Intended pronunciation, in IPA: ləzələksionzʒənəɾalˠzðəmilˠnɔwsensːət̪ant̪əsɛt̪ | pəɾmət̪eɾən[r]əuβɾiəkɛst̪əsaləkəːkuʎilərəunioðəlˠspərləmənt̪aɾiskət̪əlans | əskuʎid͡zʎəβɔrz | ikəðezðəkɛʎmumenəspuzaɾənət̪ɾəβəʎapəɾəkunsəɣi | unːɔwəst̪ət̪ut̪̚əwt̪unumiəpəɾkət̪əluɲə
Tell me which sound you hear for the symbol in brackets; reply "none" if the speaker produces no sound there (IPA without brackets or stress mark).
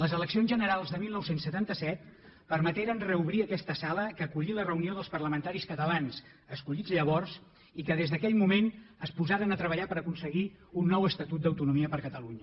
r